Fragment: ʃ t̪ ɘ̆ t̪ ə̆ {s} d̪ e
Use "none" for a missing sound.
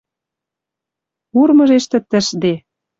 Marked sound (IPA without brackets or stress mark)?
ʃ